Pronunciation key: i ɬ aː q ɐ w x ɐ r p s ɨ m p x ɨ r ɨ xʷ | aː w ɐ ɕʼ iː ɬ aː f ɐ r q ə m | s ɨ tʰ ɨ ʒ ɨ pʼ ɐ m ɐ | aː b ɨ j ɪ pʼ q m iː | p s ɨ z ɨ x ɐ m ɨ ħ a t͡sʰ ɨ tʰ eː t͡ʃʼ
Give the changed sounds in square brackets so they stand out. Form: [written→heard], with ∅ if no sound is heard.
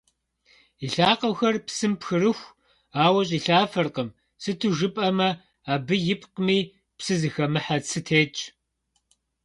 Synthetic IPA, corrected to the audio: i ɬ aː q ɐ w x ɐ r p s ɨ m p x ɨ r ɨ xʷ | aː w ɐ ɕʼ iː ɬ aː f ɐ r q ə m | s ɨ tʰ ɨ ʒ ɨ pʼ ɐ m ɐ | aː b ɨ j ɪ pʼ q m iː | p s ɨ z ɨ x ɐ m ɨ ħ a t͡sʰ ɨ tʰ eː t͡ʃʼ